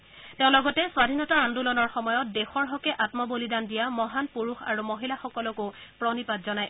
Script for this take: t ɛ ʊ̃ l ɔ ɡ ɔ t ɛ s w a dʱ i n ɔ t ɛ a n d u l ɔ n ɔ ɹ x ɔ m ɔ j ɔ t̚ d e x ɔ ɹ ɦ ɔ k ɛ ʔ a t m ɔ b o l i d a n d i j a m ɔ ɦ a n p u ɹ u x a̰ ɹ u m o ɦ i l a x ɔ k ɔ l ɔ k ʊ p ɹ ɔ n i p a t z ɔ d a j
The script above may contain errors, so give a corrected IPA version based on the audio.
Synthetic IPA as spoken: t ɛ ʊ̃ l ɔ ɡ ɔ t ɛ s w a dʱ i n ɔ t a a n d u l ɔ n ɔ ɹ x ɔ m ɔ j ɔ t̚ d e x ɔ ɹ ɦ ɔ k ɛ ʔ a t m ɔ b o l i d a n d i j a m ɔ ɦ a n p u ɹ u x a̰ ɹ u m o ɦ i l a x ɔ k ɔ l ɔ k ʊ p ɹ ɔ n i p a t z ɔ n a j